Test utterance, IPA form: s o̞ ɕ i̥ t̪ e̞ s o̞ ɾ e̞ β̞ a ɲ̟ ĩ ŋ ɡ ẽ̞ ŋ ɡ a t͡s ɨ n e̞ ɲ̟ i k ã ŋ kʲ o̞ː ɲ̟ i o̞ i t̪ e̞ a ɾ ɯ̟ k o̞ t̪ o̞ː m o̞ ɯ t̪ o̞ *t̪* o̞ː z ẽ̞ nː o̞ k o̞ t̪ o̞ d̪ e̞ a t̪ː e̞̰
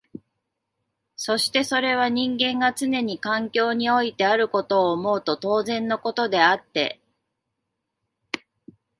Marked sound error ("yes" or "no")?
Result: no